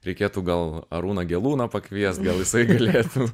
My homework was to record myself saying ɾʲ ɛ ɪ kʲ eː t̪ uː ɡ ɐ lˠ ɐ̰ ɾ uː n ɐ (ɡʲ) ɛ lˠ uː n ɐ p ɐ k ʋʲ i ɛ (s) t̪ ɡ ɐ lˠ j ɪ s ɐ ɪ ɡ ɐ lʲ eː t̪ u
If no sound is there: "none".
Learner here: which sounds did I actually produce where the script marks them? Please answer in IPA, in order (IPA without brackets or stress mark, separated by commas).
ɡʲ, s